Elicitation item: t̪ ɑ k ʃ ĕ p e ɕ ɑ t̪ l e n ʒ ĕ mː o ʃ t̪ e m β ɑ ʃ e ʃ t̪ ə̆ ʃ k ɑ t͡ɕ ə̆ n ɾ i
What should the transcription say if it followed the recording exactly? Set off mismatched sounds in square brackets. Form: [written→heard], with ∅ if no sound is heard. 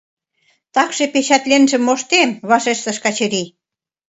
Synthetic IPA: t̪ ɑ k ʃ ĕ p e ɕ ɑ t̪ l e n ʒ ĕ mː o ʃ t̪ e m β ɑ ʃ e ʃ t̪ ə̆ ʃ k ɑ t͡ɕ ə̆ [n→∅] ɾ i